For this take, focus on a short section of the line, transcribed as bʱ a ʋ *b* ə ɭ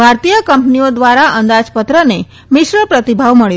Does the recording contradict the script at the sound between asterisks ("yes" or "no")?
yes